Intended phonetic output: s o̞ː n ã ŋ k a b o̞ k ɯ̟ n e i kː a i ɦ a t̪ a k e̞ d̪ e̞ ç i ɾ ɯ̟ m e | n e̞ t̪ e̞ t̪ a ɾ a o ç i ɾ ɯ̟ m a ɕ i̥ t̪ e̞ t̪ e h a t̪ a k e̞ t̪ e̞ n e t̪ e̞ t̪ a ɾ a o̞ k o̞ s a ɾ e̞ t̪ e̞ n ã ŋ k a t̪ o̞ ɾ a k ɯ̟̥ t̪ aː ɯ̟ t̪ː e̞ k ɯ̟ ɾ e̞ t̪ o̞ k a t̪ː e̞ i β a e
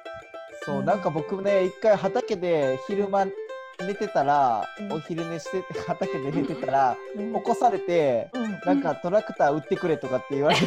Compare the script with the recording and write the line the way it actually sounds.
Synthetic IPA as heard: s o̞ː n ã ŋ k a b o̞ k ɯ̟ n e i kː a i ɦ a t̪ a k e̞ d̪ e̞ ç i ɾ ɯ̟ m a | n e̞ t̪ e̞ t̪ a ɾ a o ç i ɾ ɯ̟ m e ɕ i̥ t̪ e̞ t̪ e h a t̪ a k e̞ d̪ e̞ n e t̪ e̞ t̪ a ɾ a o̞ k o̞ s a ɾ e̞ t̪ e̞ n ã ŋ k a t̪ o̞ ɾ a k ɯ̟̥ t̪ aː ɯ̟ t̪ː e̞ k ɯ̟ ɾ e̞ t̪ o̞ k a t̪ː e̞ i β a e